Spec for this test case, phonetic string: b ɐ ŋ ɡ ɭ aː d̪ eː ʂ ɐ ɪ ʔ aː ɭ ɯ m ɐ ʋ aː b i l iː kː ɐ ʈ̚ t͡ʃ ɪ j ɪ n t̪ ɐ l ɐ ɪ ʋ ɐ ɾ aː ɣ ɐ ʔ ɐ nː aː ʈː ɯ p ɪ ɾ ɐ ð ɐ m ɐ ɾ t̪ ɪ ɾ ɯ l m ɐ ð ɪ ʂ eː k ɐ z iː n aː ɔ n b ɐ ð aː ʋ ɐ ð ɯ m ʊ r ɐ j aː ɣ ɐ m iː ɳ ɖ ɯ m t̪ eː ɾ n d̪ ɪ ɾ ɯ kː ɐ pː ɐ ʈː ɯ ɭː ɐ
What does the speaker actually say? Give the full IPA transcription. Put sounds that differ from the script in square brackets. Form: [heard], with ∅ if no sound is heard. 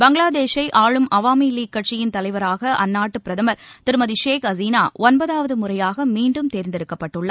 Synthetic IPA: b ɐ ŋ ɡ ɭ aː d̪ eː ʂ ɐ ɪ ʔ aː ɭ ɯ m ɐ ʋ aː [m] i l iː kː ɐ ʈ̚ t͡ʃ ɪ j ɪ n t̪ ɐ l ɐ ɪ ʋ ɐ ɾ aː ɣ ɐ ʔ ɐ nː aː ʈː ɯ p ɪ ɾ ɐ ð ɐ m ɐ ɾ t̪ ɪ ɾ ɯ [∅] m ɐ ð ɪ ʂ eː k ɐ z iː n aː ɔ n b ɐ ð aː ʋ ɐ ð ɯ m ʊ r ɐ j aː ɣ ɐ m iː ɳ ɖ ɯ m t̪ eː ɾ n d̪ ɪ ɾ ɯ kː ɐ pː ɐ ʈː ɯ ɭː ɐ